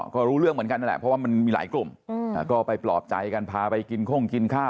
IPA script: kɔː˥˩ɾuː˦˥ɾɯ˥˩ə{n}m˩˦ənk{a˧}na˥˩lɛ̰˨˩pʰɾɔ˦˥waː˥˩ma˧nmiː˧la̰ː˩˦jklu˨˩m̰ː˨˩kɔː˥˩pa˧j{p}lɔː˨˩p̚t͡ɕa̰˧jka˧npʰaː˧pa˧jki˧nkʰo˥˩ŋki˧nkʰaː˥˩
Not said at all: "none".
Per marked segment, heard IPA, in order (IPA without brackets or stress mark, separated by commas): ŋ, a˧, p